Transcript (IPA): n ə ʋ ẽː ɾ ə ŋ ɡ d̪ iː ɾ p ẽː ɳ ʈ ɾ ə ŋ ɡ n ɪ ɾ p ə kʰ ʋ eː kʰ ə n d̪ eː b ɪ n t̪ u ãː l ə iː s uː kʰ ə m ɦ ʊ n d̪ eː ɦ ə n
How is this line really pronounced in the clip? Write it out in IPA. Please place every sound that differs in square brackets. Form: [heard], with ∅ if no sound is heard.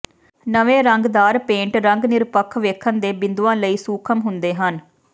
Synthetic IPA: n ə ʋ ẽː ɾ ə ŋ ɡ d̪ [aː] ɾ p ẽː ɳ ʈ ɾ ə ŋ ɡ n ɪ ɾ p ə kʰ ʋ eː kʰ ə n d̪ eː b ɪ n [d̪] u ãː l ə iː s uː kʰ ə m ɦ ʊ n d̪ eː ɦ ə n